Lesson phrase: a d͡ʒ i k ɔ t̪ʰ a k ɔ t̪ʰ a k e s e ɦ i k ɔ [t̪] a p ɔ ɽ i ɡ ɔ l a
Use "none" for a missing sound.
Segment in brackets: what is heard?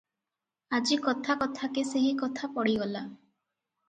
t̪ʰ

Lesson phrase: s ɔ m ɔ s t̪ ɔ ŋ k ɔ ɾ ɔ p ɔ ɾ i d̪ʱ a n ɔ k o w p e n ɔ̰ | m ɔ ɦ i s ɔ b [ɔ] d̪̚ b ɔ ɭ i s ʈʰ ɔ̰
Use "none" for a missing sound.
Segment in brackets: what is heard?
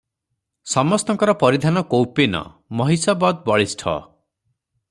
ɔ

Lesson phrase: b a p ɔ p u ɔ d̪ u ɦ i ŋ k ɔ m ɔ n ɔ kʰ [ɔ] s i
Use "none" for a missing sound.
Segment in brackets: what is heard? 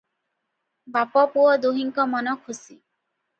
u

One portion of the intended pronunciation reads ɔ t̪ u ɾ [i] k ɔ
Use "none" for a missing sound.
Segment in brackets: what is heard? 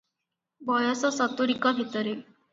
i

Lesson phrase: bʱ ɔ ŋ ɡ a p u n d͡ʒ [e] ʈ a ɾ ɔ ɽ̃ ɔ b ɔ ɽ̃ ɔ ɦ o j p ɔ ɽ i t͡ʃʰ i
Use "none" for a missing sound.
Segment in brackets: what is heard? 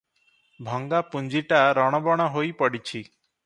i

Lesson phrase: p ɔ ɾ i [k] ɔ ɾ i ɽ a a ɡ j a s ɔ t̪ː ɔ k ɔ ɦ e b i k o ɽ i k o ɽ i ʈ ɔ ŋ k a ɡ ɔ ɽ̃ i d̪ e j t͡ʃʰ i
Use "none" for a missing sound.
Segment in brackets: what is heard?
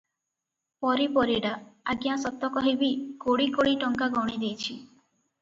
p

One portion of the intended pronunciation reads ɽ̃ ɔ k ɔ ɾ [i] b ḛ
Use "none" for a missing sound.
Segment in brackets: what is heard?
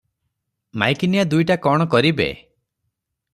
i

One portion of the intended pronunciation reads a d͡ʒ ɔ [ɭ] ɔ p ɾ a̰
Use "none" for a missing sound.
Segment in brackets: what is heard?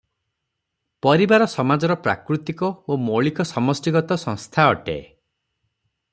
ɾ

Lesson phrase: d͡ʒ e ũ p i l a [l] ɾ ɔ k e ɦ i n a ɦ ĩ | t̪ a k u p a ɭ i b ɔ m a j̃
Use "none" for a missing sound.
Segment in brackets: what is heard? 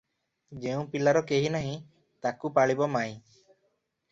none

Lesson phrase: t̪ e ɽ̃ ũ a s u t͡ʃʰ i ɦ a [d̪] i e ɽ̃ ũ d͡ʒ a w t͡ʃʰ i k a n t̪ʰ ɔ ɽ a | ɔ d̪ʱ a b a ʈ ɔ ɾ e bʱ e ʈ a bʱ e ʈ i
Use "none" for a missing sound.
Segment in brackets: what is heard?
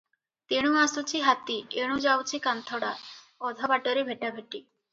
t̪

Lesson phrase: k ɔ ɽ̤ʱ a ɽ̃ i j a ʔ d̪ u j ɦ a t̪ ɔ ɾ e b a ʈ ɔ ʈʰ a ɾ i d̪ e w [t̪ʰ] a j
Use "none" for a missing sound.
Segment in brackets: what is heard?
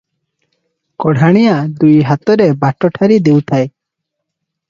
t̪ʰ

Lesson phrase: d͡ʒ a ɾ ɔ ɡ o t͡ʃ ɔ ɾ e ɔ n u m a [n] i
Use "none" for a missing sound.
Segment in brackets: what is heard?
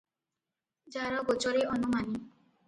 n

